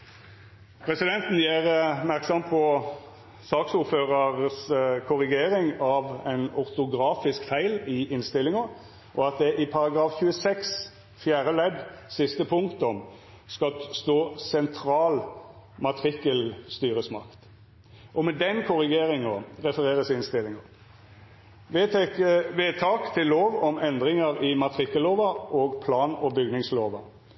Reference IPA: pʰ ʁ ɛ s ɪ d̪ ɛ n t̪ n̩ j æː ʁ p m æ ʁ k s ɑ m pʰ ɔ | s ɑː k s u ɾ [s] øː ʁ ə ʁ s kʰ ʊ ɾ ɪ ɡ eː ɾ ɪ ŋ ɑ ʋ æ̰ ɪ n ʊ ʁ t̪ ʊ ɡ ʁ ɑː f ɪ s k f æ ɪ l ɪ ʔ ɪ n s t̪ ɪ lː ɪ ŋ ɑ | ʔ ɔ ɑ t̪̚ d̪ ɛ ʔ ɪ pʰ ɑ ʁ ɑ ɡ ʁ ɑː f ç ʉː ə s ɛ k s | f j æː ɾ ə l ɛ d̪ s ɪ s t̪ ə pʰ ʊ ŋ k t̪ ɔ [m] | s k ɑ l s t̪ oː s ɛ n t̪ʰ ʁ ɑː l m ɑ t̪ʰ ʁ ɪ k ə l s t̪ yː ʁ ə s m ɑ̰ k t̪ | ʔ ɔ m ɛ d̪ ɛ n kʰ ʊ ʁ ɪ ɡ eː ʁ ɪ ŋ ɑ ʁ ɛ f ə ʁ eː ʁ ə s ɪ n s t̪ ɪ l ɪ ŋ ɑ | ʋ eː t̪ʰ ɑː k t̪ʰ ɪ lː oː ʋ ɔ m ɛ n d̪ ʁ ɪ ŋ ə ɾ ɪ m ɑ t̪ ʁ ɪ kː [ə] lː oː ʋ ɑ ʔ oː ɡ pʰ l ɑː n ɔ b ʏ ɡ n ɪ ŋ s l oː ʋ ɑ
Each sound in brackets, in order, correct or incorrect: incorrect: f, correct, correct

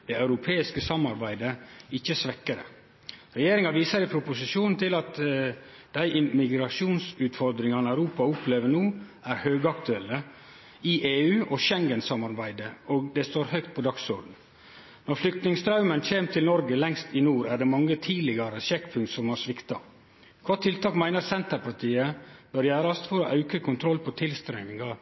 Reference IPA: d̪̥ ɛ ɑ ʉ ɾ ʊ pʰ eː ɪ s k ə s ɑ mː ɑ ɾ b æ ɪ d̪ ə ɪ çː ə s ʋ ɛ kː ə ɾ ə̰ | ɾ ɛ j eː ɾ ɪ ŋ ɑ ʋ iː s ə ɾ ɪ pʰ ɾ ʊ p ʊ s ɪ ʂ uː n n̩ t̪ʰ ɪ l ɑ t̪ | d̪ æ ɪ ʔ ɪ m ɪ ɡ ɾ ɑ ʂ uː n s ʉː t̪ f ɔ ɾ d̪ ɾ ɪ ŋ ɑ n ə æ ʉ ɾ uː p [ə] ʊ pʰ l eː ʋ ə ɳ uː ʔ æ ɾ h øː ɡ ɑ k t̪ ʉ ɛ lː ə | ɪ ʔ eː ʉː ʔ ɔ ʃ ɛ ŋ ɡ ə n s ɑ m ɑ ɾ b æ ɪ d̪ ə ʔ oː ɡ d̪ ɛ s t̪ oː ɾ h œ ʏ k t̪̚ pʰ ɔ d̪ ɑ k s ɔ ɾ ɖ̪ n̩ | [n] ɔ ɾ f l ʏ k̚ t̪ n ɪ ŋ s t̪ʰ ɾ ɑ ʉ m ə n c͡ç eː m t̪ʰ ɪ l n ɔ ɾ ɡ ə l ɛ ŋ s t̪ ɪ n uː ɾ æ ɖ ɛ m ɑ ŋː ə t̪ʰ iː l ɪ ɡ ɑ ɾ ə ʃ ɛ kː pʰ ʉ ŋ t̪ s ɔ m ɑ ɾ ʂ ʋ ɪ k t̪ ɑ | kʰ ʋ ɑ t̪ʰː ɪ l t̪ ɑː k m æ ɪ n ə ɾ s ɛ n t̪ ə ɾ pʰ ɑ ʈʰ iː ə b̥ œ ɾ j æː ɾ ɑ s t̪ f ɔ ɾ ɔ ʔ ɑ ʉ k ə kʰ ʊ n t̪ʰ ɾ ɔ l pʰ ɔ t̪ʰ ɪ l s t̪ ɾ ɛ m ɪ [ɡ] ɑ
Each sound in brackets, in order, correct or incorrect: incorrect: ɑ, correct, incorrect: ŋ

